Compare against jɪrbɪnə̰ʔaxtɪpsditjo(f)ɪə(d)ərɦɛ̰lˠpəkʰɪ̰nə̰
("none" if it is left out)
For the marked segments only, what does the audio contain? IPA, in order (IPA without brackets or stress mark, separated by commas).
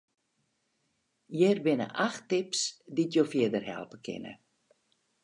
f, d